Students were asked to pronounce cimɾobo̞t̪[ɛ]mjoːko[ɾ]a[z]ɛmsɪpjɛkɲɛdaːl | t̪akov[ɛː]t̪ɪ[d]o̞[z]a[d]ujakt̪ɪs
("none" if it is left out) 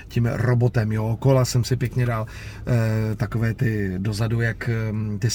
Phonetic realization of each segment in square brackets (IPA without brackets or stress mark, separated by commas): ɛ, l, s, ɛː, d, z, d